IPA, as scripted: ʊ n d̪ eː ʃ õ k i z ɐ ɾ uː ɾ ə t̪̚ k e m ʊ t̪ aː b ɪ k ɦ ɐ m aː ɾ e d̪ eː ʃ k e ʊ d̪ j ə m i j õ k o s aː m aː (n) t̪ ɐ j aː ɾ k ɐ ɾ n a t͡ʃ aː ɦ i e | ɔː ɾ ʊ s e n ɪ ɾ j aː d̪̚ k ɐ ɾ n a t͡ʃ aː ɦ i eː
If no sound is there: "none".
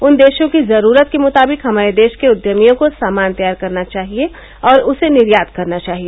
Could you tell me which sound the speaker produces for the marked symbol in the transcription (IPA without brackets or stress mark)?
n